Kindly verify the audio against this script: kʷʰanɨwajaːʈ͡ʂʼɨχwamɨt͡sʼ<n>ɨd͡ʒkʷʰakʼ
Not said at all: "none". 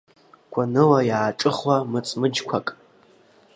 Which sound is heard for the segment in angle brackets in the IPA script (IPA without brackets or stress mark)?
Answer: m